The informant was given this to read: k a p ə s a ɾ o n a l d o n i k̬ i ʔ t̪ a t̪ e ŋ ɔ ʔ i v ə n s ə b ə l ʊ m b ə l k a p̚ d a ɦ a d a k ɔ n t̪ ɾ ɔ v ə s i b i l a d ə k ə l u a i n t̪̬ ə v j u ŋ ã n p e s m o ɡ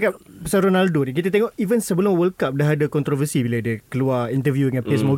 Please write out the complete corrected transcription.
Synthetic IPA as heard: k a p ə s a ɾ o n a l d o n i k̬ i t̪ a t̪ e ŋ ɔ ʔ i v ə n s ə b ə l ʊ m w ə l k a p̚ d a ɦ a d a k ɔ n t̪ ɾ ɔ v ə s i b i l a d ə k ə l u a i n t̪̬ ə v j u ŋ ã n p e s m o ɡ